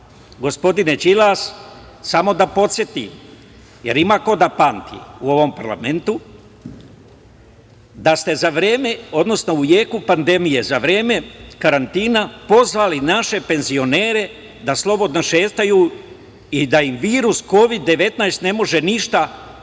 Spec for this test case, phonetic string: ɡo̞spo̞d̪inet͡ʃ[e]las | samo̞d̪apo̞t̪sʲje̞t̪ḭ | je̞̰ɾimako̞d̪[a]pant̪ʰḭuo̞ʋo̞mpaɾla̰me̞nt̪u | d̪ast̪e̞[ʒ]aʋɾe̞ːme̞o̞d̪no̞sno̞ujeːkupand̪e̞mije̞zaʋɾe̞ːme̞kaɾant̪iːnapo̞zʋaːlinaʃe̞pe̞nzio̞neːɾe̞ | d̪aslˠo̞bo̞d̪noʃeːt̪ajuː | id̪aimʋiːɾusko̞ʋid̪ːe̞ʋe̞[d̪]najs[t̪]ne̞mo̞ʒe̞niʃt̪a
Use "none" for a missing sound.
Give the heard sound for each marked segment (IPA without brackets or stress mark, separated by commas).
i, a, z, t̪, t̪